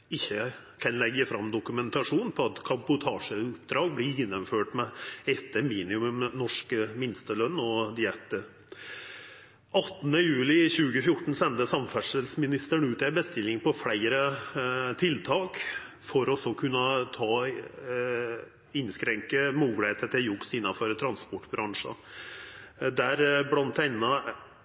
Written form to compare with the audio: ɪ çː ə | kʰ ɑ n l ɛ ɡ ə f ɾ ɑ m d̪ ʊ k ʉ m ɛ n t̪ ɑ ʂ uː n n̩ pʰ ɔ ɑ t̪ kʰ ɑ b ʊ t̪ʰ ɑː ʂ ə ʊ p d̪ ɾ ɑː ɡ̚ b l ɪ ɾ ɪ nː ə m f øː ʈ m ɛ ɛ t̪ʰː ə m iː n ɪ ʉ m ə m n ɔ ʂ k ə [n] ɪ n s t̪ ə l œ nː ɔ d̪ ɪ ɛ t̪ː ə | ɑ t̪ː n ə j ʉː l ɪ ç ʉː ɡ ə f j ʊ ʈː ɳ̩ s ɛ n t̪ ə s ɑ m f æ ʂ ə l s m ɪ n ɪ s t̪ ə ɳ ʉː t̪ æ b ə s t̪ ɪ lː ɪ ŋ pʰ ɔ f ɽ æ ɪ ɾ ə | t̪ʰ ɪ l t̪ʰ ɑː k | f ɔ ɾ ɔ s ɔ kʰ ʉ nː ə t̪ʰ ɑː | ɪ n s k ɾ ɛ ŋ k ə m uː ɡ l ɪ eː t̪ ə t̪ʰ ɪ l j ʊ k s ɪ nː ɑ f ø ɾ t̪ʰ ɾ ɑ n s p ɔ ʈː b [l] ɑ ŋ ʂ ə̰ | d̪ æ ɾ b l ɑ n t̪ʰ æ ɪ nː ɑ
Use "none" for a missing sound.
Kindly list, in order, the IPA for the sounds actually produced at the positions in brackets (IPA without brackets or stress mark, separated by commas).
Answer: m, ɾ